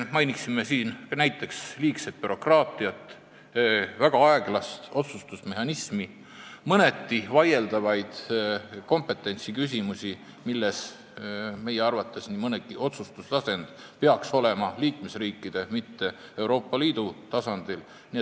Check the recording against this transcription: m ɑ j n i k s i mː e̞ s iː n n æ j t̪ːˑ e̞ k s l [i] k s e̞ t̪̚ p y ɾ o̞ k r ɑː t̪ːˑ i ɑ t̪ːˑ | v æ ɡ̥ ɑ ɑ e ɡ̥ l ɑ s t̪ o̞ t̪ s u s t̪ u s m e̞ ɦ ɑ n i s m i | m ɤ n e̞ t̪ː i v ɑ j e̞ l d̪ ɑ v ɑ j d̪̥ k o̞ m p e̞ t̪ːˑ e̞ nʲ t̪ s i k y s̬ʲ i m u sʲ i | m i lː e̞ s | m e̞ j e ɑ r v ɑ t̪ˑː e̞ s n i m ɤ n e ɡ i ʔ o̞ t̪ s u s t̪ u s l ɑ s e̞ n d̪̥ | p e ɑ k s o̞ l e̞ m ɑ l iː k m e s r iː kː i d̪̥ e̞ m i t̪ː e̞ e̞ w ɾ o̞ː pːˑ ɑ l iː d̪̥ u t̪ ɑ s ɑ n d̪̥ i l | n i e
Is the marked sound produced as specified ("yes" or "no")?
no